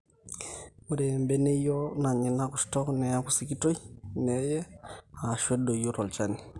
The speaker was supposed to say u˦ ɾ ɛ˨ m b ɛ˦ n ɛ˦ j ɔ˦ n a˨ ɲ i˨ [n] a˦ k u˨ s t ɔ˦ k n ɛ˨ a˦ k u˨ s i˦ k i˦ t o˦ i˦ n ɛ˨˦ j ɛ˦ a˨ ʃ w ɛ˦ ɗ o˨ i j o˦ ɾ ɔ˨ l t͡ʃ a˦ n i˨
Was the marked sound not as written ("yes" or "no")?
no